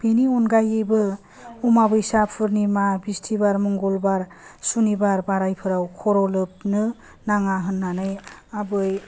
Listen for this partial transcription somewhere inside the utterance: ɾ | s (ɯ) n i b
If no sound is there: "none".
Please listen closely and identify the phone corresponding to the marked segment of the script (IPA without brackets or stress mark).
u